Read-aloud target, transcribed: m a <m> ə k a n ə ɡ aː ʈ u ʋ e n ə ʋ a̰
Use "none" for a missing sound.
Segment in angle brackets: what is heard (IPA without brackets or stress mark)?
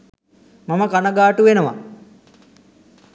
m